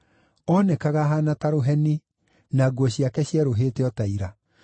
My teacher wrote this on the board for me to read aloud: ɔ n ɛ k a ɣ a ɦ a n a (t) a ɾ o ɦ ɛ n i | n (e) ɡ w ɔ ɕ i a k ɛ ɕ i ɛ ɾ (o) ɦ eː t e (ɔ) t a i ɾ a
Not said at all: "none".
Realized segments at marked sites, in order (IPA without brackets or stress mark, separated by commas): t, a, o, ɔ